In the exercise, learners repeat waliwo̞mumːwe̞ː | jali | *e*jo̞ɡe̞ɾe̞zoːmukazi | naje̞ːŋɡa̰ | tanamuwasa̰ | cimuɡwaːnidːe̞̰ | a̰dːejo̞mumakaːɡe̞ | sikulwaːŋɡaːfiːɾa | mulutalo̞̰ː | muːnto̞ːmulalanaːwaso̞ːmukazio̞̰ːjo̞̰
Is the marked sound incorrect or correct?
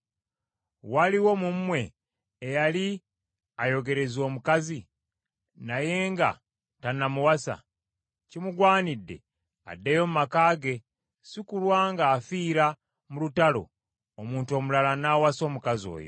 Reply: incorrect